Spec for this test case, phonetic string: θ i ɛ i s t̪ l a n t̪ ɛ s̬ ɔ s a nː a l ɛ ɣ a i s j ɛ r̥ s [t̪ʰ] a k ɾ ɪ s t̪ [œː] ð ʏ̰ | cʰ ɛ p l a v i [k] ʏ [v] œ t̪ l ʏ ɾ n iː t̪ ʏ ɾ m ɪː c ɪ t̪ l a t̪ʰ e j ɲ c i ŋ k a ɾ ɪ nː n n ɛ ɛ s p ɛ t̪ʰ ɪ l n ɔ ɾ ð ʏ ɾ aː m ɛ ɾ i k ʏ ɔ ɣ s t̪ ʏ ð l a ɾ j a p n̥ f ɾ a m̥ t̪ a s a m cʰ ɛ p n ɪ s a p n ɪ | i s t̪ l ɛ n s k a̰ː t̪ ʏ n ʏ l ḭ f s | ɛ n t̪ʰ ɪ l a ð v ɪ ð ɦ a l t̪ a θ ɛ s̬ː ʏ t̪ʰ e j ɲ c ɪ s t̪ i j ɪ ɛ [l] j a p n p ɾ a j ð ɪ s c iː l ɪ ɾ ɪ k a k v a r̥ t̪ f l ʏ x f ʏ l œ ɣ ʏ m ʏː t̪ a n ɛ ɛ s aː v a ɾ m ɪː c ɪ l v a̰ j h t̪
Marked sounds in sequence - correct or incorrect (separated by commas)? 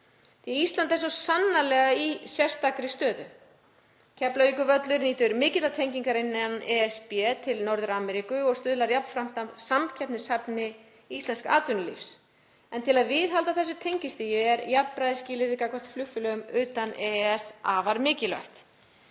incorrect, correct, correct, correct, incorrect